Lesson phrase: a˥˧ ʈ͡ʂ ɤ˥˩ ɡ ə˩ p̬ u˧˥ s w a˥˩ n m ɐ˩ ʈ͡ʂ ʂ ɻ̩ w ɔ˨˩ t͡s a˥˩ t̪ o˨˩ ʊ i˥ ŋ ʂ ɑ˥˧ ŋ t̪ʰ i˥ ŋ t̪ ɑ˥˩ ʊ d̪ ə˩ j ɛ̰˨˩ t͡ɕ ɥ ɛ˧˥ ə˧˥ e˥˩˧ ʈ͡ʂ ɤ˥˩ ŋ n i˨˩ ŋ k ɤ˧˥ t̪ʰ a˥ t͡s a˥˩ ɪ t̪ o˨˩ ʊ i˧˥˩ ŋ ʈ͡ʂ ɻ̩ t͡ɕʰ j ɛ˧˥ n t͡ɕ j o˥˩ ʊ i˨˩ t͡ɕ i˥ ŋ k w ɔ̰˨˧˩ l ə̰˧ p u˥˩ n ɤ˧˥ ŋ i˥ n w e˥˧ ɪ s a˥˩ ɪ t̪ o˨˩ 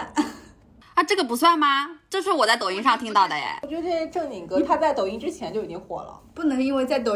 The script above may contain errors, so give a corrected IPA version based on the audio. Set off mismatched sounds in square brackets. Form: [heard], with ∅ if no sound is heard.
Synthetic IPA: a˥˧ ʈ͡ʂ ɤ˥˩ ɡ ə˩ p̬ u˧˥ s w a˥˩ n m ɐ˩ ʈ͡ʂ ʂ ɻ̩ w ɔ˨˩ t͡s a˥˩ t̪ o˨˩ ʊ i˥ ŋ ʂ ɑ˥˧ ŋ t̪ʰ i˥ ŋ t̪ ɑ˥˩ ʊ d̪ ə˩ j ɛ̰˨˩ t͡ɕ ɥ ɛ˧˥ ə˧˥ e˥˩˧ ʈ͡ʂ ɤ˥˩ ŋ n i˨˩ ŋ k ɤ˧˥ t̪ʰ a˥ t͡s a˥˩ ɪ t̪ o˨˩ ʊ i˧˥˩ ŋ ʈ͡ʂ ɻ̩ t͡ɕʰ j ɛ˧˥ n t͡ɕ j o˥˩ ʊ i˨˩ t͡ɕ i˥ ŋ [x] w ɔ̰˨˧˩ l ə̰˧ p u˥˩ n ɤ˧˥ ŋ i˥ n w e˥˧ ɪ [t͡s] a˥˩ ɪ t̪ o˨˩